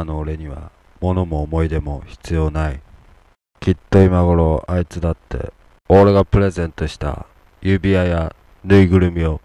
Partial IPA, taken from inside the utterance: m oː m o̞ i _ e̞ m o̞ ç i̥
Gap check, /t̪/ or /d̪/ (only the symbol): d̪